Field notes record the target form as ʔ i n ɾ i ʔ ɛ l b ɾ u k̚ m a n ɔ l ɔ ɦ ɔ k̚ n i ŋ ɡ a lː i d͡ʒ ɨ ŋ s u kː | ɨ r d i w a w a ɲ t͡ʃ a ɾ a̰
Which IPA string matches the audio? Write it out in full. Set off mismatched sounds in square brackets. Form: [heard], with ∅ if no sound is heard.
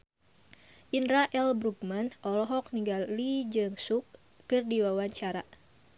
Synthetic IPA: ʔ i n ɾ [a] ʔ ɛ l b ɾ u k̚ m a n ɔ l ɔ ɦ ɔ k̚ n i ŋ ɡ a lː i d͡ʒ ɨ ŋ s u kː | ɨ r d i w a w a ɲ t͡ʃ a ɾ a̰